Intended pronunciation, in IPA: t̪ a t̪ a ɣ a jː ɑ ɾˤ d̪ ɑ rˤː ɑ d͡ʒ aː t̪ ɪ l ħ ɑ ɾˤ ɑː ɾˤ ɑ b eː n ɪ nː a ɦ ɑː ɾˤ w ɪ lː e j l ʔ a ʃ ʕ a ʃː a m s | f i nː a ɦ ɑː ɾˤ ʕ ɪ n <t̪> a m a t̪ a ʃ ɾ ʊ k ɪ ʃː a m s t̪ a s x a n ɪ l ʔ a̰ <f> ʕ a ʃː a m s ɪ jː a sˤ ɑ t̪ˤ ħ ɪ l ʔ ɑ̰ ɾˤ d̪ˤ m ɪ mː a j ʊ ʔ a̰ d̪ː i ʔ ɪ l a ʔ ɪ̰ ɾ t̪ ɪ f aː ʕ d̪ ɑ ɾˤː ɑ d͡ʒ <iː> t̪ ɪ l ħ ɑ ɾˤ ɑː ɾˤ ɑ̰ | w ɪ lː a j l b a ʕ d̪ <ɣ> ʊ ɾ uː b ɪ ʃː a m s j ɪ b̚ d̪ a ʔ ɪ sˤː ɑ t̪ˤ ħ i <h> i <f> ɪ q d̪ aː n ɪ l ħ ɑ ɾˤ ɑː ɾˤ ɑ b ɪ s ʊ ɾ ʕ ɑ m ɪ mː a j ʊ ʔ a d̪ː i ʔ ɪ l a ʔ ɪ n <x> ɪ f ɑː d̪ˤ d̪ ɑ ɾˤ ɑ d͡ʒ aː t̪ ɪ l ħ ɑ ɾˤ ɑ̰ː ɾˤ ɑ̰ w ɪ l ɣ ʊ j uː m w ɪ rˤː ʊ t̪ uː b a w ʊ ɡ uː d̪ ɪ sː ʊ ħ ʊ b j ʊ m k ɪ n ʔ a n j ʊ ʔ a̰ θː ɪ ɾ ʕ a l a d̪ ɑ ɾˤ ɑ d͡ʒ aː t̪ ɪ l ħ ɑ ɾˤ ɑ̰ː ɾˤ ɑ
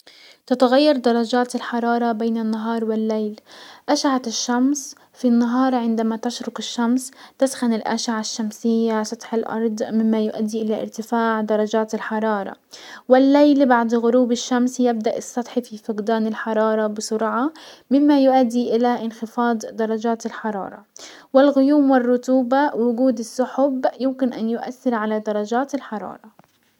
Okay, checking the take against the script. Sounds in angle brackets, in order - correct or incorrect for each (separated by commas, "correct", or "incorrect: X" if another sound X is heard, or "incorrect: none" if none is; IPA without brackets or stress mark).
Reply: incorrect: d̪, incorrect: ʃ, incorrect: aː, correct, incorrect: f, correct, correct